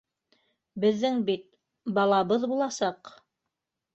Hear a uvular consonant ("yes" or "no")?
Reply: yes